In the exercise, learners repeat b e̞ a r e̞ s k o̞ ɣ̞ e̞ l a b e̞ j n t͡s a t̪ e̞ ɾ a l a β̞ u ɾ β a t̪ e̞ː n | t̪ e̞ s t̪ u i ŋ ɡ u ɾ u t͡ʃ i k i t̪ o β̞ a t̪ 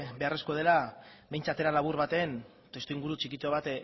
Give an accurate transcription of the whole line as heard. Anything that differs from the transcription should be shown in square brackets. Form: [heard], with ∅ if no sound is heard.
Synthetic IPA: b e̞ a r e̞ s k o̞ [ð̞] e̞ l a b e̞ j n t͡s a t̪ e̞ ɾ a l a β̞ u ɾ β a t̪ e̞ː n | t̪ e̞ s t̪ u i ŋ ɡ u ɾ u t͡ʃ i k i t̪ o β̞ a t̪